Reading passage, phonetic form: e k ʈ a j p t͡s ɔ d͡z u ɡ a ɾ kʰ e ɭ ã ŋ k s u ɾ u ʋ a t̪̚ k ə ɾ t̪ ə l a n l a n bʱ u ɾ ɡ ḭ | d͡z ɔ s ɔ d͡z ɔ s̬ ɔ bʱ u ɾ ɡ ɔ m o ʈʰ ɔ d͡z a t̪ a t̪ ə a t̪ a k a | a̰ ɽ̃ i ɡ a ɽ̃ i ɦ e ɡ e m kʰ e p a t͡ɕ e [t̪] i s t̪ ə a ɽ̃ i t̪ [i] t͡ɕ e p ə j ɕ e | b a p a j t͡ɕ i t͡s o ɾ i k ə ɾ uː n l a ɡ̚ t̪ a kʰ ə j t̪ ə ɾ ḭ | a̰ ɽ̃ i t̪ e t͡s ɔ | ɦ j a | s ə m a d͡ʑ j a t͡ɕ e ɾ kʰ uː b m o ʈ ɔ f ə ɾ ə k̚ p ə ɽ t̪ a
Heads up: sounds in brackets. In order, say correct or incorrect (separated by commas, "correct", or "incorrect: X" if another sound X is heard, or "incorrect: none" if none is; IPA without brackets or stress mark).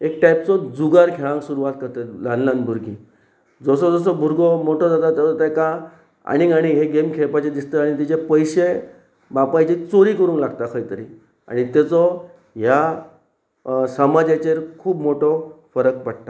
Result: incorrect: d̪, correct